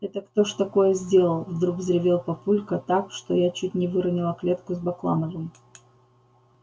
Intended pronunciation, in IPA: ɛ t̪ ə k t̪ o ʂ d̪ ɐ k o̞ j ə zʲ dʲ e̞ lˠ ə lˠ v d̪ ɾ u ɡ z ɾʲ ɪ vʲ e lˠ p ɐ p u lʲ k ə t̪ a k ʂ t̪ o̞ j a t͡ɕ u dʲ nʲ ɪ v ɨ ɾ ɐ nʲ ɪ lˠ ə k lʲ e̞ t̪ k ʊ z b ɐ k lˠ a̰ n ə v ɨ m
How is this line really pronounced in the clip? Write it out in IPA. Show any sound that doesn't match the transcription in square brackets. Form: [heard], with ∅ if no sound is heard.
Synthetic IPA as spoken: ɛ t̪ ə k t̪ o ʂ [t̪] ɐ k o̞ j ə zʲ dʲ e̞ lˠ ə lˠ v d̪ ɾ u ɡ z ɾʲ ɪ vʲ e lˠ p ɐ p u lʲ k ə t̪ a k ʂ t̪ o̞ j a t͡ɕ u [tʲ] nʲ ɪ v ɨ ɾ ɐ nʲ ɪ lˠ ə k lʲ e̞ t̪ k ʊ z b ɐ k lˠ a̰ n ə v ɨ m